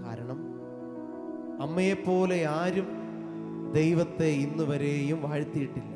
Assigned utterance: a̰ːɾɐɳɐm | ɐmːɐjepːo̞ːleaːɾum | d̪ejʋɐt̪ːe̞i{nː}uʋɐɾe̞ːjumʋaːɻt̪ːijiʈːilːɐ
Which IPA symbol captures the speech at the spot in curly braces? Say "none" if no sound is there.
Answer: nː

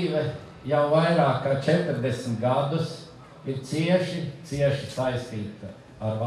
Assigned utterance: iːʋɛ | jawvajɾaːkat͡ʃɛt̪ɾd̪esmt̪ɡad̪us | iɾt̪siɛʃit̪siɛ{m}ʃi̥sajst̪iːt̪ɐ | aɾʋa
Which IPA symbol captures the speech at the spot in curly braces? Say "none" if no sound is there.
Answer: none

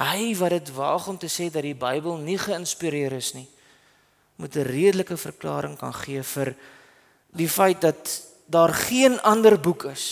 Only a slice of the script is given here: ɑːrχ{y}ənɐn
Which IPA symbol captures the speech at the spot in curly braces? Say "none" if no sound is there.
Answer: i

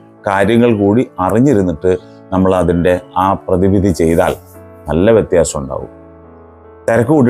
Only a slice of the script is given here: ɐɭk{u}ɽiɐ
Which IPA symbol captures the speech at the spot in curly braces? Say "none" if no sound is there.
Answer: uː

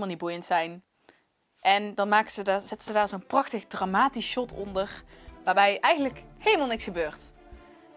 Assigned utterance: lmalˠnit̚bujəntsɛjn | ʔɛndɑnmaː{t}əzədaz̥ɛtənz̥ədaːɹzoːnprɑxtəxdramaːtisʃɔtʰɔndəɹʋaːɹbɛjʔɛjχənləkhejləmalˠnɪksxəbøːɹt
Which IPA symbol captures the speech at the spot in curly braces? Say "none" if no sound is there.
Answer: k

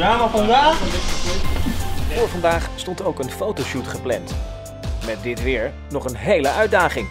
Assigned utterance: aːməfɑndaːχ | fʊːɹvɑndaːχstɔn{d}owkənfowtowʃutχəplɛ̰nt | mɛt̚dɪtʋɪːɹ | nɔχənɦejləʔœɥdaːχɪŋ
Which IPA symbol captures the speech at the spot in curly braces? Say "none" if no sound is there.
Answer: t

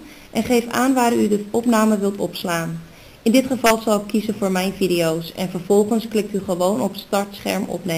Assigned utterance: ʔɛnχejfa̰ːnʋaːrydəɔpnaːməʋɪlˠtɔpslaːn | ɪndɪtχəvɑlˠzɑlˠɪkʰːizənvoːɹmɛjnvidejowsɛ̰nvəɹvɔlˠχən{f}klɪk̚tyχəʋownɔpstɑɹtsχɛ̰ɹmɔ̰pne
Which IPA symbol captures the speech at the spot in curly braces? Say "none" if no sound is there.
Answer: s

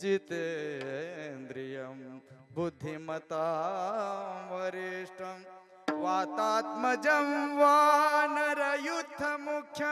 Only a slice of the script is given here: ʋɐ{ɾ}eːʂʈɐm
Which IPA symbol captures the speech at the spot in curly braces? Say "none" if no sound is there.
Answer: ɾ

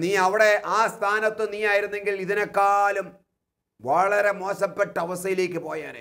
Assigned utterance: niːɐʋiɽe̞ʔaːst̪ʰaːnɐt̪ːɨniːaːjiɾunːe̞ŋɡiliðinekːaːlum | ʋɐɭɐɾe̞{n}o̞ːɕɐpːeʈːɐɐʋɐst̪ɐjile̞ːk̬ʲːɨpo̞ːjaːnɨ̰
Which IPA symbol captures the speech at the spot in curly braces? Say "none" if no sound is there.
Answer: m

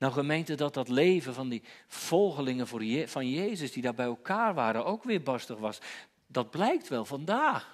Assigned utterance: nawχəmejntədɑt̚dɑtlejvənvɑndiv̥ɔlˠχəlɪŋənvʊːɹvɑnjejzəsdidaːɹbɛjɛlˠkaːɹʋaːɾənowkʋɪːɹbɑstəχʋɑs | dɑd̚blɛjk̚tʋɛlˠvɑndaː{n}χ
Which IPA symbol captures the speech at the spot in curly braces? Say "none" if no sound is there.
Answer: none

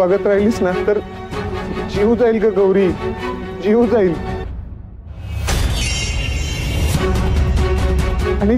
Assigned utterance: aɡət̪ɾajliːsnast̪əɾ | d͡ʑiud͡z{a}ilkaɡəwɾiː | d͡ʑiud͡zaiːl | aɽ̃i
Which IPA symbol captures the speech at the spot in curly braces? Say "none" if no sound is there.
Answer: a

